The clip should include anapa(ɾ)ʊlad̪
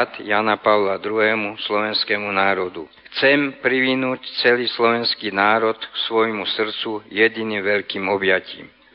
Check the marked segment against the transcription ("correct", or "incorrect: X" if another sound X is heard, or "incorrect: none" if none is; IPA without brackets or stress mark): incorrect: none